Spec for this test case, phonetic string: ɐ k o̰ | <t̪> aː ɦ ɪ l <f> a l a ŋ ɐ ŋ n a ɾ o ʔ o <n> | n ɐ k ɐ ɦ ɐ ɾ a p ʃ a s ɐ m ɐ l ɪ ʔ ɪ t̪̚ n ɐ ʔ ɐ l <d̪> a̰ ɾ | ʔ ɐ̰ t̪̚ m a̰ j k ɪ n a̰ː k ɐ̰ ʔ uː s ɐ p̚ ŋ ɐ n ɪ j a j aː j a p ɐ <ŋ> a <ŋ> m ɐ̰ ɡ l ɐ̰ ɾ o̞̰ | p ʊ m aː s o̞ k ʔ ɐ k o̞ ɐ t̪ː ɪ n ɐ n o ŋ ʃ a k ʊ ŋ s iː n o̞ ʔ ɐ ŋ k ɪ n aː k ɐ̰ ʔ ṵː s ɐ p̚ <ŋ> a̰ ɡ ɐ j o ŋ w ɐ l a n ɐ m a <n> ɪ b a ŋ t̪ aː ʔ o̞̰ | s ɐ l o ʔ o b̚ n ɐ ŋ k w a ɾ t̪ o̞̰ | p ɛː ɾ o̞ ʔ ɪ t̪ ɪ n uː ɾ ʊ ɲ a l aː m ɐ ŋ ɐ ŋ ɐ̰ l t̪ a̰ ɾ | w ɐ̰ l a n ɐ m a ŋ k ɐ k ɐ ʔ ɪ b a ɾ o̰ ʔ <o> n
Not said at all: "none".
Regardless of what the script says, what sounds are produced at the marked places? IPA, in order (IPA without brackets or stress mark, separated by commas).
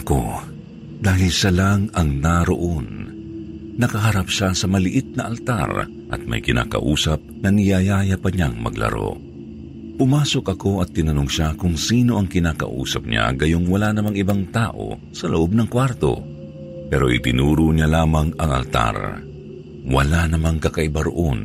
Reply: d̪, ʃ, n, t̪, ɲ, ŋ, ɲ, ŋ, o